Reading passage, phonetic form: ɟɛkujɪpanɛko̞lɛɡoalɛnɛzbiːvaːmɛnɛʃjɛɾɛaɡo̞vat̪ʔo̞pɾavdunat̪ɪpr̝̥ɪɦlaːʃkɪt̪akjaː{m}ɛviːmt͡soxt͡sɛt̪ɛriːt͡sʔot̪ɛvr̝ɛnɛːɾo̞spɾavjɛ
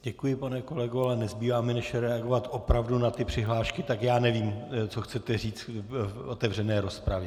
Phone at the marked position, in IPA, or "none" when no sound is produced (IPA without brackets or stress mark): n